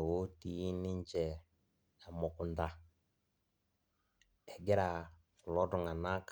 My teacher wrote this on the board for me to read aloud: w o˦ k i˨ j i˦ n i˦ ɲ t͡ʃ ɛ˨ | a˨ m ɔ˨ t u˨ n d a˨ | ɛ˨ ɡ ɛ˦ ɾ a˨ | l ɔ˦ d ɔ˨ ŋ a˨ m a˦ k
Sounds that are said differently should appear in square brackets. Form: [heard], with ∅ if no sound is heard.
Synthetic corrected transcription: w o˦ [t] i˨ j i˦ n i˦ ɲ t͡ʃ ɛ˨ | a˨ m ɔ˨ [k] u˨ n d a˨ | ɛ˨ ɡ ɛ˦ ɾ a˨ | l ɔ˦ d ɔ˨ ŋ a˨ [n] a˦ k